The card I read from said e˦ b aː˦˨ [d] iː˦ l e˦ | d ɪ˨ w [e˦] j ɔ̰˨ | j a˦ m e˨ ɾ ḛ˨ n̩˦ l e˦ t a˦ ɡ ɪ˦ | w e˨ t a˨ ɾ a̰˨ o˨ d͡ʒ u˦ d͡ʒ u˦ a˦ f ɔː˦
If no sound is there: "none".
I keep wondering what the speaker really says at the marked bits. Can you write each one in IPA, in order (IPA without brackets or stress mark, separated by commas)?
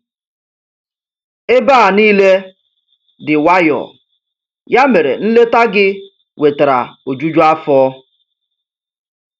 n, a˦